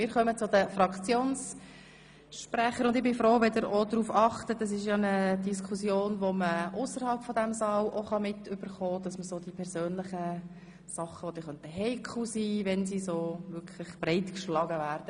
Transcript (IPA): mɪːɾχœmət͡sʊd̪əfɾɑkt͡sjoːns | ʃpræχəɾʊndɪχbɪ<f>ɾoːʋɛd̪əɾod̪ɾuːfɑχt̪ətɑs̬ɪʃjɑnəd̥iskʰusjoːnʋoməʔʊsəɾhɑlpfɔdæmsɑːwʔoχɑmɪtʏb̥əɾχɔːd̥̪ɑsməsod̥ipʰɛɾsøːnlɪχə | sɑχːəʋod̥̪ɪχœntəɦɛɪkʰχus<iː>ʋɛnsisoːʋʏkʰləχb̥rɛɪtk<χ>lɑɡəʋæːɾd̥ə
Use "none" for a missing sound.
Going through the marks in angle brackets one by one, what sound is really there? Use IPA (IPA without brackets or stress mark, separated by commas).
f, iː, ʃ